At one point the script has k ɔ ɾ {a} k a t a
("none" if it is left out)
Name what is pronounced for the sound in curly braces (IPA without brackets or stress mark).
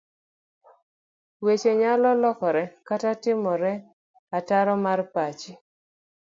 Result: ɛ